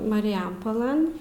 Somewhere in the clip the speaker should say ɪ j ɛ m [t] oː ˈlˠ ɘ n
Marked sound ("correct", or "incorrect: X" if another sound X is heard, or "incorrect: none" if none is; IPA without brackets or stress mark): incorrect: p